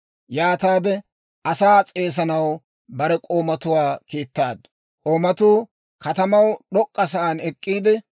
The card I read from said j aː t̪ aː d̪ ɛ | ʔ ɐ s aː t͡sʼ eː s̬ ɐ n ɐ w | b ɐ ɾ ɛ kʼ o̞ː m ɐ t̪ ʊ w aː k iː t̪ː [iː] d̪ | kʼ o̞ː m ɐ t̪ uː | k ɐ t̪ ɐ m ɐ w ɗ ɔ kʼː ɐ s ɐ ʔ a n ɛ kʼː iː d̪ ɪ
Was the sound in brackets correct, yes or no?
no